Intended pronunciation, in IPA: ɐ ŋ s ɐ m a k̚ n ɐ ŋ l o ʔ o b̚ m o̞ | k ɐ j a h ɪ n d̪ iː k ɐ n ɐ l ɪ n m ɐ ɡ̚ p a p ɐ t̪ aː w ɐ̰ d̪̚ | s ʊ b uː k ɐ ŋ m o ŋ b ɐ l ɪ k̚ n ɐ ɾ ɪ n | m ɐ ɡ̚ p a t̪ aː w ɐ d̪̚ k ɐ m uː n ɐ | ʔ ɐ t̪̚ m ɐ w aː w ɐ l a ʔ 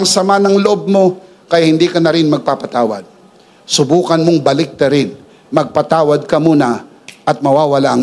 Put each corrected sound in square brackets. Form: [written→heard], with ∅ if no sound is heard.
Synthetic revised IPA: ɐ ŋ s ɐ m a [k̚→∅] n ɐ ŋ l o ʔ o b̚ m o̞ | k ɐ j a h ɪ n d̪ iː k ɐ n ɐ [l→ɾ] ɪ n m ɐ ɡ̚ p a p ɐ t̪ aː w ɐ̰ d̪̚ | s ʊ b uː k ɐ [ŋ→n] m o ŋ b ɐ l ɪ k̚ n ɐ ɾ ɪ n | m ɐ ɡ̚ p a t̪ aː w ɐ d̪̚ k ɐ m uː n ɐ | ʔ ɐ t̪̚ m ɐ w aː w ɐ l a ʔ

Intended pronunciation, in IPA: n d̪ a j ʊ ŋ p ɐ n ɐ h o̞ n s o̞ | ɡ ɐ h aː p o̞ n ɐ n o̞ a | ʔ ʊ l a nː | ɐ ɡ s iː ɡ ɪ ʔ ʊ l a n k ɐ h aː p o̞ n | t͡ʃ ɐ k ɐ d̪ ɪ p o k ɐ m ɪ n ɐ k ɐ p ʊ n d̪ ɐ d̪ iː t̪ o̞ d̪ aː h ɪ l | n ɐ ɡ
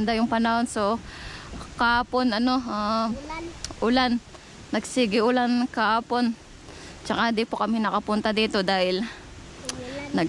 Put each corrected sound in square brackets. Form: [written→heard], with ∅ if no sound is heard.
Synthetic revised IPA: n d̪ a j ʊ ŋ p ɐ n ɐ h o̞ n s o̞ | [ɡ→k] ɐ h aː p o̞ n ɐ n o̞ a | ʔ ʊ l a nː | ɐ ɡ s iː ɡ ɪ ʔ ʊ l a n k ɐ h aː p o̞ n | t͡ʃ ɐ k [ɐ→a] d̪ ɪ p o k ɐ m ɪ n ɐ k ɐ p ʊ n [d̪→t̪] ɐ d̪ iː t̪ o̞ d̪ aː h ɪ l | n ɐ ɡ

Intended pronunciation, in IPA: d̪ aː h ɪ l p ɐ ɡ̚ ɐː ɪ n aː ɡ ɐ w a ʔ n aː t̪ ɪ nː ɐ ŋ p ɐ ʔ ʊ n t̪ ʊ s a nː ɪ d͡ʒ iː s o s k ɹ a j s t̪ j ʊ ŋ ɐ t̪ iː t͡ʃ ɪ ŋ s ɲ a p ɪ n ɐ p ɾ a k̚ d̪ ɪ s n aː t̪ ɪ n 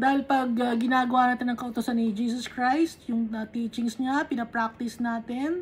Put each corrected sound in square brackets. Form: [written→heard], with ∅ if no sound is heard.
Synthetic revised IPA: d̪ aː h ɪ l p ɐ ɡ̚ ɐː ɪ n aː ɡ ɐ w a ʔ n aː t̪ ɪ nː ɐ ŋ [p→k] ɐ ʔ ʊ [n→∅] t̪ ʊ s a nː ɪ d͡ʒ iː s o s k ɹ a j s t̪ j ʊ ŋ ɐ t̪ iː t͡ʃ ɪ ŋ s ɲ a p ɪ n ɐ p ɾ a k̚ [d̪→t̪] ɪ s n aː t̪ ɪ n

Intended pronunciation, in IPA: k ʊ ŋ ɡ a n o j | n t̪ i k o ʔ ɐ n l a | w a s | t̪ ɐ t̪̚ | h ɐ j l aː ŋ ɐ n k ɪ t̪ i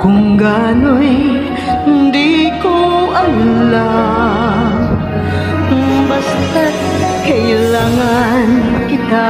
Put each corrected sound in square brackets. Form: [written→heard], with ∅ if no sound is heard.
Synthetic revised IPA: k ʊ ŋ ɡ a n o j | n [t̪→d̪] i k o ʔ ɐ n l a | [w→b] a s | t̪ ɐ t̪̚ | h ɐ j l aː ŋ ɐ n k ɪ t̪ [i→a]

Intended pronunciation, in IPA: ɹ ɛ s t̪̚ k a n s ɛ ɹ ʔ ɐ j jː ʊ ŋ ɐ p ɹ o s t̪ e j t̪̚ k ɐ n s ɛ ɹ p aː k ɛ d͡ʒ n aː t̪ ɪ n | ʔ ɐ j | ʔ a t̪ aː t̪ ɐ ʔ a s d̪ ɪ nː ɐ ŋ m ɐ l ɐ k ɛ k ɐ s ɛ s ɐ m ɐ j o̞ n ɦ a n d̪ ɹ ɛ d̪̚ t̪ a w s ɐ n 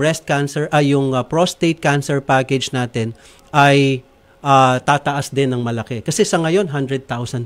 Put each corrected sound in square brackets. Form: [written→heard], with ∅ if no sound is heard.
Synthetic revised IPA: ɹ ɛ s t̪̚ k a n s ɛ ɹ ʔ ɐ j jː ʊ ŋ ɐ p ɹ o s t̪ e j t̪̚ k [ɐ→a] n s ɛ ɹ p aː k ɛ d͡ʒ n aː t̪ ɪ n | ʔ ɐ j | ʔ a t̪ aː t̪ ɐ ʔ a s d̪ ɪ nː ɐ ŋ m ɐ l ɐ k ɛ k ɐ s ɛ s ɐ [m→ŋ] ɐ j o̞ n ɦ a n d̪ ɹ ɛ d̪̚ t̪ a w s ɐ n

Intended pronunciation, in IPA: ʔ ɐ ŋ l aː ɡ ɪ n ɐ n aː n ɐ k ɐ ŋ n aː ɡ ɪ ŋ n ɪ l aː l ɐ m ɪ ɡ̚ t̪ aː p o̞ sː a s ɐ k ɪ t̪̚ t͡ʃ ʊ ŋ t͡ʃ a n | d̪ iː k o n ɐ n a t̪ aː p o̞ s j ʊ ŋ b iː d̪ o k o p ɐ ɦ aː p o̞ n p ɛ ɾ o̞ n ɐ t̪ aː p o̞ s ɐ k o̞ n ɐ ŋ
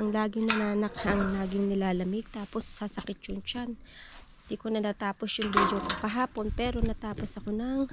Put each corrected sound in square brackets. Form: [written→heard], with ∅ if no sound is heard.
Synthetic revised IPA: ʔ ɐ ŋ l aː ɡ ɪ n ɐ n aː n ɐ k ɐ ŋ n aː ɡ ɪ ŋ n ɪ l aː l ɐ m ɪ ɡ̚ t̪ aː p o̞ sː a s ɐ k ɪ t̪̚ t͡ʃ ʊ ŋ t͡ʃ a n | d̪ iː k o n ɐ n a t̪ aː p o̞ s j ʊ ŋ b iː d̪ o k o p ɐ ɦ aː p o̞ n p ɛ ɾ o̞ n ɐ t̪ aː p o̞ s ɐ k o̞ n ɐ ŋ

